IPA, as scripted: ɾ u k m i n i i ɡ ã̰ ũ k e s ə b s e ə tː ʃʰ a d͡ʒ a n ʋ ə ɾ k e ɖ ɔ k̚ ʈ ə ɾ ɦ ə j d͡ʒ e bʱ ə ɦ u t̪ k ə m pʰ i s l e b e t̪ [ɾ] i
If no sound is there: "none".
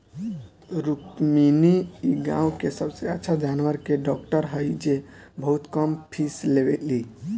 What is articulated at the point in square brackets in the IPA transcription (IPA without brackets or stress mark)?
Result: l